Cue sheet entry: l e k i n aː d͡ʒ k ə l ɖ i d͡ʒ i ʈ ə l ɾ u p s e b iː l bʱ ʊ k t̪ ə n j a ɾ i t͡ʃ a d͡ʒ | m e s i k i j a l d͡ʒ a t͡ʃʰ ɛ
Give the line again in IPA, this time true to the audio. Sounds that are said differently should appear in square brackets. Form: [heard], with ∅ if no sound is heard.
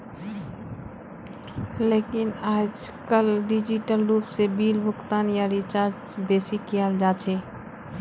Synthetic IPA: l e k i n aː d͡ʒ k ə l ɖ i d͡ʒ i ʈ ə l ɾ u p s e b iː l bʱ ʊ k t̪ [a] n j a ɾ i t͡ʃ a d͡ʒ | [b] e s i k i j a l d͡ʒ a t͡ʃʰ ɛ